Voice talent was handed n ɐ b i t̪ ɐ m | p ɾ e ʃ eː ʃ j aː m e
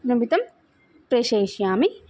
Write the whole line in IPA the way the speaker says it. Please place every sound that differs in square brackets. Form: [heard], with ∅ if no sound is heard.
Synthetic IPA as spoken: n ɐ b i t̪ ɐ m | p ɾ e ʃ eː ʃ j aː m [i]

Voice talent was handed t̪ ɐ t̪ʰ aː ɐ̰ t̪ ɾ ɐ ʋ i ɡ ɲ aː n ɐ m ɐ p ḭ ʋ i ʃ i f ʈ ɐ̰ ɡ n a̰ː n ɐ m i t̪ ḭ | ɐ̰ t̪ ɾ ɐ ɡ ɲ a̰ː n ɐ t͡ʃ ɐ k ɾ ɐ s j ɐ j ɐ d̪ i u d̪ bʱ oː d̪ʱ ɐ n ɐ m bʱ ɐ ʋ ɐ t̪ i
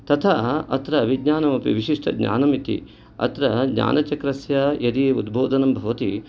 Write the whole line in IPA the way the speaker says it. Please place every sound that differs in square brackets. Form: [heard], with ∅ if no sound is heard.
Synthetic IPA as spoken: t̪ ɐ t̪ʰ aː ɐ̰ t̪ ɾ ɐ ʋ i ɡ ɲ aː n ɐ m ɐ p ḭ ʋ i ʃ i [ʂ] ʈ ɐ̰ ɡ [ɲ] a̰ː n ɐ m i t̪ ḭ | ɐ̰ t̪ ɾ ɐ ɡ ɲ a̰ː n ɐ t͡ʃ ɐ k ɾ ɐ s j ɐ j ɐ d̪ i u d̪ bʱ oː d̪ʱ ɐ n ɐ m bʱ ɐ ʋ ɐ t̪ i

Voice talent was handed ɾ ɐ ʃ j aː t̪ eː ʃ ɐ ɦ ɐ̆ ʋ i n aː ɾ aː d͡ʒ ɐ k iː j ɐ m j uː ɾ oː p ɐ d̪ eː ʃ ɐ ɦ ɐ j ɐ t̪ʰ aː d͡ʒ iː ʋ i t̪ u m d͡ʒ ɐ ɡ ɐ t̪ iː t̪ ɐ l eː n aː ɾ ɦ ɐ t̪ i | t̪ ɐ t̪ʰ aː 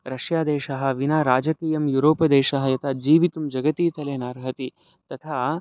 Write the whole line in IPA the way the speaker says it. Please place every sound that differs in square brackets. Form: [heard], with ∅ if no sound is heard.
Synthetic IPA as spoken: ɾ ɐ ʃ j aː [d̪] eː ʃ ɐ ɦ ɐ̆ ʋ i n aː ɾ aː d͡ʒ ɐ k iː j ɐ m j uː ɾ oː p ɐ d̪ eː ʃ ɐ ɦ ɐ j ɐ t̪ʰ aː d͡ʒ iː ʋ i t̪ u m d͡ʒ ɐ ɡ ɐ t̪ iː t̪ ɐ l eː n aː ɾ ɦ ɐ t̪ i | t̪ ɐ t̪ʰ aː

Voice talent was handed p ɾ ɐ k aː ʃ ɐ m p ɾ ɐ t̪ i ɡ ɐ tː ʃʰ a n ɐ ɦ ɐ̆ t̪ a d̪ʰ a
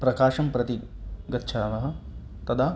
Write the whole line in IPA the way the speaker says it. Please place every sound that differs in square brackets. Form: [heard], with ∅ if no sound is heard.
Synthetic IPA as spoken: p ɾ ɐ k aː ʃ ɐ m p ɾ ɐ t̪ i ɡ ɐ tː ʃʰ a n ɐ ɦ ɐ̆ t̪ [ɐ] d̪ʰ a

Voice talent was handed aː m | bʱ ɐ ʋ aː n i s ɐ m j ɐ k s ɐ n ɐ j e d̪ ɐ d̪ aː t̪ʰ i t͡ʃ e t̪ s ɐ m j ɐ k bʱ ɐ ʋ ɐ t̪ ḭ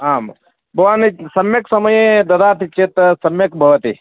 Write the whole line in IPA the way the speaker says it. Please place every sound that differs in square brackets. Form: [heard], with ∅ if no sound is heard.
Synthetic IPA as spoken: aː m | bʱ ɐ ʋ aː n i s ɐ m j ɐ k s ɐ [m] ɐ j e d̪ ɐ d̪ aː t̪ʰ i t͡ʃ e t̪ s ɐ m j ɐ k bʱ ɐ ʋ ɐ t̪ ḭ

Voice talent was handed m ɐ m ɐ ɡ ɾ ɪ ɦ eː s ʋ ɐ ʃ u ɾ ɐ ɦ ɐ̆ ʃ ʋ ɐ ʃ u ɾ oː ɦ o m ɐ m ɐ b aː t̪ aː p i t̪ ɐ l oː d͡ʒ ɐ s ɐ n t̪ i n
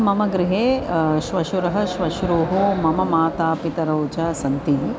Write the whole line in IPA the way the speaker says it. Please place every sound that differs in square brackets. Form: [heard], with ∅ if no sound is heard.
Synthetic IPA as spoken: m ɐ m ɐ ɡ ɾ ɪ ɦ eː [ʃ] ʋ ɐ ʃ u ɾ ɐ ɦ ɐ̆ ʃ ʋ ɐ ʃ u ɾ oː ɦ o m ɐ m ɐ [m] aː t̪ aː p i t̪ ɐ [ɾ] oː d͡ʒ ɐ s ɐ n t̪ i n

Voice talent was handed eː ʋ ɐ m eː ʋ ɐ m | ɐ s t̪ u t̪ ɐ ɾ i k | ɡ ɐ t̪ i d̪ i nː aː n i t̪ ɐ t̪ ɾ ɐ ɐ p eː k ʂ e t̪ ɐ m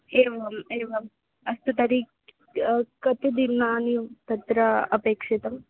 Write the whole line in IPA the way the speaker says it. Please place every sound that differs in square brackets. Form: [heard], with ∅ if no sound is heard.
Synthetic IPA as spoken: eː ʋ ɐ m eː ʋ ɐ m | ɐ s t̪ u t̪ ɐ ɾ i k | [k] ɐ t̪ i d̪ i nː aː n i t̪ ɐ t̪ ɾ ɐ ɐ p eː k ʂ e t̪ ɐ m

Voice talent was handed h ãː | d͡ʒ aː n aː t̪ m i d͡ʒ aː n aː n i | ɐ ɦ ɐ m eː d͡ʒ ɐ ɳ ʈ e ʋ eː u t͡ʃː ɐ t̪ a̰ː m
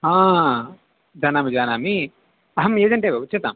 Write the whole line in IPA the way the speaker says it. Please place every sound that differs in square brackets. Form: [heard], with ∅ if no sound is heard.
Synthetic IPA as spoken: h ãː | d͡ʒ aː n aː [∅] m i d͡ʒ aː n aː [m] i | ɐ ɦ ɐ m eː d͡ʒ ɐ ɳ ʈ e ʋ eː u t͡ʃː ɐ t̪ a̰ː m

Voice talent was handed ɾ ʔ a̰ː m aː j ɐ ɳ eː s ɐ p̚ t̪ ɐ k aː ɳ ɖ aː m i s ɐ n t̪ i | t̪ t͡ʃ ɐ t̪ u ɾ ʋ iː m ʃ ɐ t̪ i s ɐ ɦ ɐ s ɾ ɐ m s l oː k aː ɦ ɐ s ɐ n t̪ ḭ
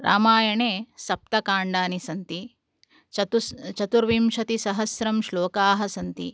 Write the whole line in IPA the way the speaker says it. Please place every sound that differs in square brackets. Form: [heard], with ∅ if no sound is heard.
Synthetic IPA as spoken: ɾ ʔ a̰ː m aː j ɐ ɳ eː s ɐ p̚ t̪ ɐ k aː ɳ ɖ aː [n] i s ɐ n t̪ i | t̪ t͡ʃ ɐ t̪ u ɾ ʋ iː m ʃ ɐ t̪ i s ɐ ɦ ɐ s ɾ ɐ m [ʃ] l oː k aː ɦ ɐ s ɐ n t̪ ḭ

